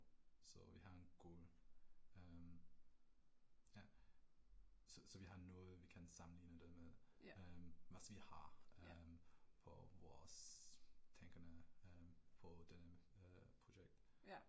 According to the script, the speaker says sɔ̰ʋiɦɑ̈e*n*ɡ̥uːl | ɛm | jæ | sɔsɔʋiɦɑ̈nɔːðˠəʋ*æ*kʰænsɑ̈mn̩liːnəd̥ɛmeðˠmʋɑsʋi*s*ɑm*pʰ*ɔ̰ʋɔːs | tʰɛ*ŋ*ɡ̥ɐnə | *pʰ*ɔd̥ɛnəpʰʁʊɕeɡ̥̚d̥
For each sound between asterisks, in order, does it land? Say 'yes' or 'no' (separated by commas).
yes, no, no, yes, yes, yes